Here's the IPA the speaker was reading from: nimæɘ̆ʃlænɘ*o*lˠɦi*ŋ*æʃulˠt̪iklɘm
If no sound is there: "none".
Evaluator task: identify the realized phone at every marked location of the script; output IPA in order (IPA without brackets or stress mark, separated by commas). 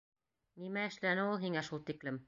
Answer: u, ŋ